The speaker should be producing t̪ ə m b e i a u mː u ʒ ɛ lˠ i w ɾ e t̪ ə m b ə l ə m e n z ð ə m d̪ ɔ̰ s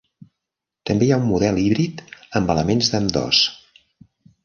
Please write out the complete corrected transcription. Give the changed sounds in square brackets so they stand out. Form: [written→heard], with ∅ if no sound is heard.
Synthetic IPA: t̪ ə m b e [i→j] a u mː u [ʒ→ð] ɛ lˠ i [w→β] ɾ [e→i] t̪ ə m b ə l ə m e n z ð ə m d̪ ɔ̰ s